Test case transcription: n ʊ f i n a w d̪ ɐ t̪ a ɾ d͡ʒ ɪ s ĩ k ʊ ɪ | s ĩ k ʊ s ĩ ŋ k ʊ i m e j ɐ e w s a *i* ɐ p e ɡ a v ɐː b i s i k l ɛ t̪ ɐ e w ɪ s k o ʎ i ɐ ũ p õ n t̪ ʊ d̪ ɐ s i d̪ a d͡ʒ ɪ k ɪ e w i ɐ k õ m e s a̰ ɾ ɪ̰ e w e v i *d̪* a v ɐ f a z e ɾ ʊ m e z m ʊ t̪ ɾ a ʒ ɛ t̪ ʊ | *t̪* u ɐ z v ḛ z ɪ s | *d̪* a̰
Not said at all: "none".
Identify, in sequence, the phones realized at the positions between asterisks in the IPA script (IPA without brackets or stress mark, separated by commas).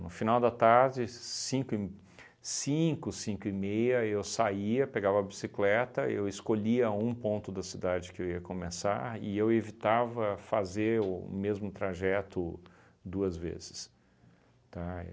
i, t̪, d̪, t̪